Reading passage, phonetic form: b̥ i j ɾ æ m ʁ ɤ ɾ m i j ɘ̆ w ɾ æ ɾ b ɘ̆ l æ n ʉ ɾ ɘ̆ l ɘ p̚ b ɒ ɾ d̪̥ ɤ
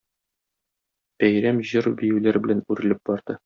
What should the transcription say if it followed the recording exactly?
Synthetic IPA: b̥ æ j ɾ æ m ʑ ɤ ɾ b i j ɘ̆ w l æ ɾ b ɘ̆ l æ n ʉ ɾ ɘ̆ l ɘ p̚ b ɒ ɾ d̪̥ ɤ